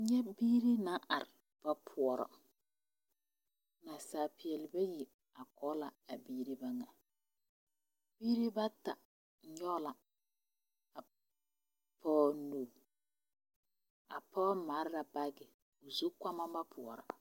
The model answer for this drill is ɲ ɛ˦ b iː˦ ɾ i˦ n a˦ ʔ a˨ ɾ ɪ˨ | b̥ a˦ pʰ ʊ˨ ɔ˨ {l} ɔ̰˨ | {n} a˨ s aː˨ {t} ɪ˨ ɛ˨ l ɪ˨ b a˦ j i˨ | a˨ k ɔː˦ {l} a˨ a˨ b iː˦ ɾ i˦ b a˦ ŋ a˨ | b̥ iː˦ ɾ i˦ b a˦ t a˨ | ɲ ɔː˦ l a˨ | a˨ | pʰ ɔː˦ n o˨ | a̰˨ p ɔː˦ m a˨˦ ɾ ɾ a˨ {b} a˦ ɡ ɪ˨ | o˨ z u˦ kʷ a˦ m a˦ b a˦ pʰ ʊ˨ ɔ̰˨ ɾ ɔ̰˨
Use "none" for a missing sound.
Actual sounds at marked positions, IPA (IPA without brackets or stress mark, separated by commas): ɾ, n, p, l, b